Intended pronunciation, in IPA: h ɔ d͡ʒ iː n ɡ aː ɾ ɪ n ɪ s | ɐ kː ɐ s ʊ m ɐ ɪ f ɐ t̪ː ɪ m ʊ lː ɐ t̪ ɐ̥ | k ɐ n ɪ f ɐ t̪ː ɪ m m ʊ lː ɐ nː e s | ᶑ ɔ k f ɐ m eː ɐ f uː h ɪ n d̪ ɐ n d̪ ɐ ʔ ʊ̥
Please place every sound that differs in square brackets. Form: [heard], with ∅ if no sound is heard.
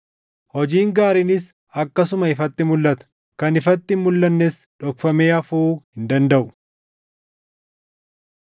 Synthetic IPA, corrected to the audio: h ɔ d͡ʒ iː [ŋ] ɡ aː ɾ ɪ n ɪ s | ɐ kː ɐ s ʊ m ɐ ɪ f ɐ t̪ː ɪ m ʊ lː ɐ t̪ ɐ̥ | k ɐ n ɪ f ɐ t̪ː ɪ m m ʊ lː ɐ nː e s | ᶑ ɔ k f ɐ m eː ɐ f uː h ɪ n d̪ ɐ n d̪ ɐ ʔ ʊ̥